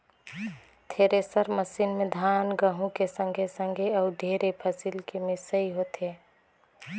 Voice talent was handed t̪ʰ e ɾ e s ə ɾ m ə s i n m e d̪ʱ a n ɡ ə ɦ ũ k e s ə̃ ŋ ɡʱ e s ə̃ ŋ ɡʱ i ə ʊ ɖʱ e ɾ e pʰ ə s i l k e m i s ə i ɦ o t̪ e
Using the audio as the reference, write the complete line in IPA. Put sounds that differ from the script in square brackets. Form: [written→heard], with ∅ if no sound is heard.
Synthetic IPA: t̪ʰ e ɾ e s ə ɾ m ə s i n m e d̪ʱ a n ɡ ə ɦ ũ k e s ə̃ ŋ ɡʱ e s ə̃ ŋ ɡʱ [i→e] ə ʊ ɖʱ e ɾ e pʰ ə s i l k e m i s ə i ɦ o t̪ e